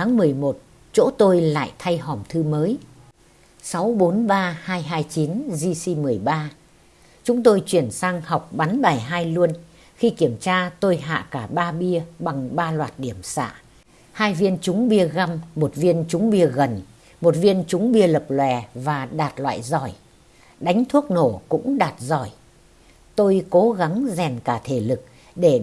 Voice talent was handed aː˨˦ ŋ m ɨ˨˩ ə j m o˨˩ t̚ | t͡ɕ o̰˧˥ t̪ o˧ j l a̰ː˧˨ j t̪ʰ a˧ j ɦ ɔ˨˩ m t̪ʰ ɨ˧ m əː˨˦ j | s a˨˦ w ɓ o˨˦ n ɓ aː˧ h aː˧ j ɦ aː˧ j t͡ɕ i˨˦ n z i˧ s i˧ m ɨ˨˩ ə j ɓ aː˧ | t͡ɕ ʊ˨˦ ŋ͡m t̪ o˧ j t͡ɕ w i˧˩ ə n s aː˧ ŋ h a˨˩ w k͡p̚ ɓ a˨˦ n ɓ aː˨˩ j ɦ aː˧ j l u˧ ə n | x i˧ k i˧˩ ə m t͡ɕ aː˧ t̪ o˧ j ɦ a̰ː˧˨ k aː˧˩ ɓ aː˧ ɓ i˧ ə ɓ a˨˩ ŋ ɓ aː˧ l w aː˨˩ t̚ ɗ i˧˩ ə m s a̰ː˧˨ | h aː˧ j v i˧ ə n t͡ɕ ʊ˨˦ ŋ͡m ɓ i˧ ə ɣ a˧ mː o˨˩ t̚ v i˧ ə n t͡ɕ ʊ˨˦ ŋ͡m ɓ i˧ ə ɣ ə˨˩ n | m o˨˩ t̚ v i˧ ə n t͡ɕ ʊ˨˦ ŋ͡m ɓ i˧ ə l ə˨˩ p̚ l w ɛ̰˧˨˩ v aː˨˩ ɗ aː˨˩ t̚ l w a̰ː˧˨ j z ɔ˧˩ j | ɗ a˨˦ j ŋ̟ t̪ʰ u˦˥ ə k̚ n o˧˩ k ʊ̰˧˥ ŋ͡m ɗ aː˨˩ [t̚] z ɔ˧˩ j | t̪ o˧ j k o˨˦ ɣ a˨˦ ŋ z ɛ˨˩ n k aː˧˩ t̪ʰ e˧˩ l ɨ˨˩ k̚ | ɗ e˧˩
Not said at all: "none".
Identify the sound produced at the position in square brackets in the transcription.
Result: t̚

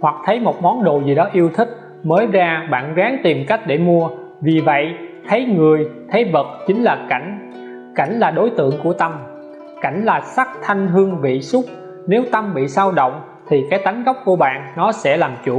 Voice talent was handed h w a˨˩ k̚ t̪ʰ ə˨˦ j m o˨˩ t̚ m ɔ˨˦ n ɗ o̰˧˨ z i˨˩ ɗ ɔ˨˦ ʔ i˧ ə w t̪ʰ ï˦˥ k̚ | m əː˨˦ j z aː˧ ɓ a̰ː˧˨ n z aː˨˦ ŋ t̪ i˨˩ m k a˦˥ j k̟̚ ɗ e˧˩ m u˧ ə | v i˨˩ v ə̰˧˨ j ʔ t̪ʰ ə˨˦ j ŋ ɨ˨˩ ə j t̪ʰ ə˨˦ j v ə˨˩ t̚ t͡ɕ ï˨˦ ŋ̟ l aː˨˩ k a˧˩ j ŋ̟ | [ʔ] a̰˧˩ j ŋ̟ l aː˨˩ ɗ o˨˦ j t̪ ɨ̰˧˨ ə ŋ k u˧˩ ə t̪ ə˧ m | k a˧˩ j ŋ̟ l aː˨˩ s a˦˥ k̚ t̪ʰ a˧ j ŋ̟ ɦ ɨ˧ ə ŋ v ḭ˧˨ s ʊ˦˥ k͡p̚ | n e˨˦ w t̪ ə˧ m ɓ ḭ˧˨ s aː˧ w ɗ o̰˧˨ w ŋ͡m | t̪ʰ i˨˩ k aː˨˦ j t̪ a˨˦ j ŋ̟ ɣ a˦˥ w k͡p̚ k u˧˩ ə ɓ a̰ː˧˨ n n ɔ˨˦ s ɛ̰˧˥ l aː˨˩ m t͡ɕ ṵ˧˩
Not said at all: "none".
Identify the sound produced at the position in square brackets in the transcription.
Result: k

